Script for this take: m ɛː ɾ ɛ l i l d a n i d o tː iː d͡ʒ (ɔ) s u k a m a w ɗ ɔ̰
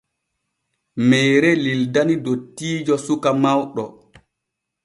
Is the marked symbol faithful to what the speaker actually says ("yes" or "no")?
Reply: yes